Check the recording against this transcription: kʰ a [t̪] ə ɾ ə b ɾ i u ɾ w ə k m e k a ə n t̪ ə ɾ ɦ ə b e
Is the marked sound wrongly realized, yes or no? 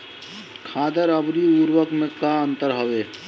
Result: yes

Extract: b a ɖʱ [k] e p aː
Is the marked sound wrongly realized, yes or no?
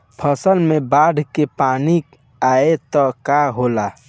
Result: no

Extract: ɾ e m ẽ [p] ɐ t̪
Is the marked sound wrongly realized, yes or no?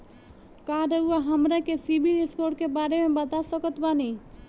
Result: yes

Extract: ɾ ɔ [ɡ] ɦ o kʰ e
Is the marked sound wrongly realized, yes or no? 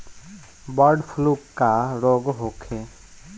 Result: no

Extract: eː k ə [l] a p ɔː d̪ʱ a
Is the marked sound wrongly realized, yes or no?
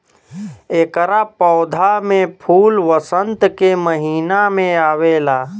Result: yes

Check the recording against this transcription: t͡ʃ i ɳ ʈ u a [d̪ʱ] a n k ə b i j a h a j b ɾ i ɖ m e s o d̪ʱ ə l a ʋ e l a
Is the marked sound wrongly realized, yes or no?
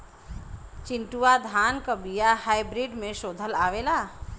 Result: no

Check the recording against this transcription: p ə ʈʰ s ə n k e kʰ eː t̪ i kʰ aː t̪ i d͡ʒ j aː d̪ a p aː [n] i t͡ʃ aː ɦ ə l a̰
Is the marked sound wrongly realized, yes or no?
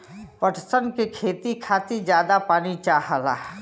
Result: no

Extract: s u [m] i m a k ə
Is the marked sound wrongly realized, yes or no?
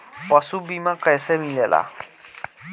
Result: yes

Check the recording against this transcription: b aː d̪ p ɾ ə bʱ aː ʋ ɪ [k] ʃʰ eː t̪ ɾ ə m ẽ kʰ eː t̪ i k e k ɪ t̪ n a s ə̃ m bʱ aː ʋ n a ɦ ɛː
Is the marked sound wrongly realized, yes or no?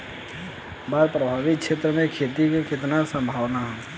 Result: no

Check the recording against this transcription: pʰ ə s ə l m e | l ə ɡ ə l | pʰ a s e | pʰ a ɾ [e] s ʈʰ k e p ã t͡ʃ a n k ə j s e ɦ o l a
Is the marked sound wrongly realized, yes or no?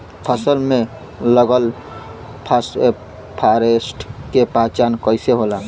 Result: no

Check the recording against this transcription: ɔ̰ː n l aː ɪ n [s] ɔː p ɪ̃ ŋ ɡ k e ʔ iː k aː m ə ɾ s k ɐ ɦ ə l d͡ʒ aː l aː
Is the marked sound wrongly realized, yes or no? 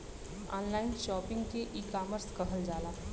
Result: yes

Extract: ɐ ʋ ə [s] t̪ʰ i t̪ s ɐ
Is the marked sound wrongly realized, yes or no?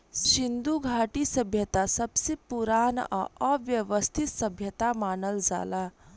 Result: no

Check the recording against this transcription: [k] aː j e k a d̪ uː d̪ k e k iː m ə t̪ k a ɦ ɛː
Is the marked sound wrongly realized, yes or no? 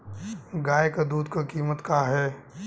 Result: yes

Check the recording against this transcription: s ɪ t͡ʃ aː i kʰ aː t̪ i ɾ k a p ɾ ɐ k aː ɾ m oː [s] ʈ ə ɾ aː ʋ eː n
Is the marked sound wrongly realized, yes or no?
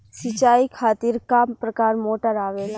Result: yes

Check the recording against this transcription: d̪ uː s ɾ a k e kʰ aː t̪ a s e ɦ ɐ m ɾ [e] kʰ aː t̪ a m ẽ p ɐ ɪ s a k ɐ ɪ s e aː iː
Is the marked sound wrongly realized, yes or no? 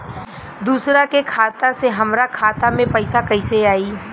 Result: yes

